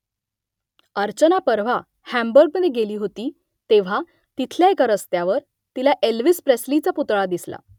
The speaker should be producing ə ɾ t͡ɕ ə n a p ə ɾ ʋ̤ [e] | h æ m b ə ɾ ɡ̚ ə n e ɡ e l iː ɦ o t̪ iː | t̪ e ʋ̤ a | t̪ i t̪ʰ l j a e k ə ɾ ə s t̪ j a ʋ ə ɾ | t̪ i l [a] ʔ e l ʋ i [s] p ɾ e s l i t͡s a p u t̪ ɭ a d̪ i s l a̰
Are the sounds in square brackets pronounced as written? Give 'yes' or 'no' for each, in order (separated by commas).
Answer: no, yes, yes